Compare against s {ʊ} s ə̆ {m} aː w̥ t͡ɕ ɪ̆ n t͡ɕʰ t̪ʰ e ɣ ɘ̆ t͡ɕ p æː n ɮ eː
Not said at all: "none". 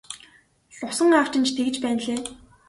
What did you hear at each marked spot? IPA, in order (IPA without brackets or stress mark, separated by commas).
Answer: ʊ, ŋ